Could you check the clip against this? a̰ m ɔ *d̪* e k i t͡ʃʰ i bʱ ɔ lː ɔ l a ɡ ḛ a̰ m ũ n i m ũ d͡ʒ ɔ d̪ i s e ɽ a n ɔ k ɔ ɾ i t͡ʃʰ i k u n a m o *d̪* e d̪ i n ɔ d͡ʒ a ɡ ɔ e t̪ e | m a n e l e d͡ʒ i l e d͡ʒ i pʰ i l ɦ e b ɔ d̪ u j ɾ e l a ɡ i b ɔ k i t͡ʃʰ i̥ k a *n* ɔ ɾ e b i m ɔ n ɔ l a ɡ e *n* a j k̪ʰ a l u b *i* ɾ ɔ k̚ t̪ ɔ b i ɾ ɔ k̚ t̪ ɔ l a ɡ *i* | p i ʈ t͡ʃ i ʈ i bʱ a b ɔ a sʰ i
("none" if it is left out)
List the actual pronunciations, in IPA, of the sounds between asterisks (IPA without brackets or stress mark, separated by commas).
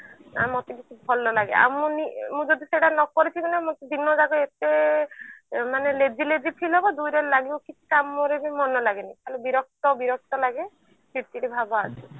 t̪, t̪, m, n, i, e